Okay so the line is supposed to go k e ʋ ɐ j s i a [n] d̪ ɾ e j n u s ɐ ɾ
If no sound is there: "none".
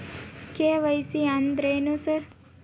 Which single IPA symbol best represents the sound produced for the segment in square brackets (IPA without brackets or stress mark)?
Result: n